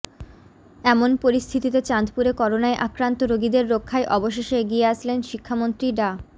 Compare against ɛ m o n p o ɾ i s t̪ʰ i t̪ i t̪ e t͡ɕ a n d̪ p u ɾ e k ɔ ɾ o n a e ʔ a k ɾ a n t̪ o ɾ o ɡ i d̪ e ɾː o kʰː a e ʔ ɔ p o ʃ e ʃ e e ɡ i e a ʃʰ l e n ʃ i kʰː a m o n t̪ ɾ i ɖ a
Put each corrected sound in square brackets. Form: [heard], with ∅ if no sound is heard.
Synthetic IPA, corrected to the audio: ɛ m o n p o ɾ i s t̪ʰ i t̪ i t̪ e t͡ɕ a n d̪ p u ɾ e k ɔ ɾ o n a e ʔ a k ɾ a n t̪ o ɾ o ɡ i d̪ e ɾː o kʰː a e ʔ ɔ [b] o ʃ e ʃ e e ɡ i e a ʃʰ l e n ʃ i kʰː a m o n t̪ ɾ i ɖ a